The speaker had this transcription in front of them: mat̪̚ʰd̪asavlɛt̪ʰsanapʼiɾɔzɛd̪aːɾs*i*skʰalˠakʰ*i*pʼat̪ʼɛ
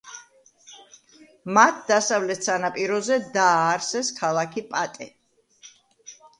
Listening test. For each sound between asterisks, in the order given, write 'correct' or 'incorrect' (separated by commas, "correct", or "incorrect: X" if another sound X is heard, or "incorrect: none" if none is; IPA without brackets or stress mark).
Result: incorrect: ɛ, correct